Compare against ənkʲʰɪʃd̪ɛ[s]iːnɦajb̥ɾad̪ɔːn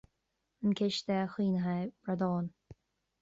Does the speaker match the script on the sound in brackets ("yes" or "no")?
no